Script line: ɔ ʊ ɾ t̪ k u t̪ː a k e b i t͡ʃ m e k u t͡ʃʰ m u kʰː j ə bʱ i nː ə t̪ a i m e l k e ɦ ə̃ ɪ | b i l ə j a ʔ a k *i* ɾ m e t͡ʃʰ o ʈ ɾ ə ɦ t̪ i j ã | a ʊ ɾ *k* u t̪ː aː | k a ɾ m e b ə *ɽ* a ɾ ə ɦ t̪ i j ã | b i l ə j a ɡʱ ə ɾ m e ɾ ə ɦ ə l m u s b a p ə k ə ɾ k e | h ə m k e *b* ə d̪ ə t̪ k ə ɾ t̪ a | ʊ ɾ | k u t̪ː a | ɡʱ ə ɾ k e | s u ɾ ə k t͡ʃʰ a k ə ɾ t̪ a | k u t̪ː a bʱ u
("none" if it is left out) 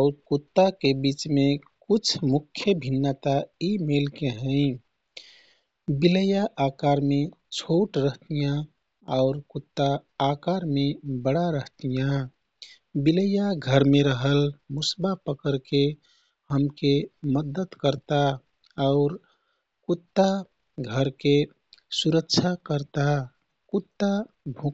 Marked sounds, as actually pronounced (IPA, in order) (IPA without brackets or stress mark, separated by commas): a, k, ɽ, m